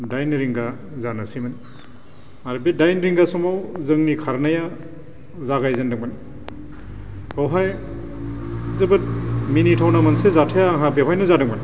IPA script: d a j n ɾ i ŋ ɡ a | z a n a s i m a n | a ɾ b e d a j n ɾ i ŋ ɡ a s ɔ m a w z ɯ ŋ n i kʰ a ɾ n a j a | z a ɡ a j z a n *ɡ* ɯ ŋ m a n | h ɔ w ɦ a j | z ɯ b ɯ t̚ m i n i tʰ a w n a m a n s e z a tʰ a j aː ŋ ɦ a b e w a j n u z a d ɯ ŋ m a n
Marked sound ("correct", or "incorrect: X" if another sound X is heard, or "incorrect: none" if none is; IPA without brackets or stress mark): incorrect: d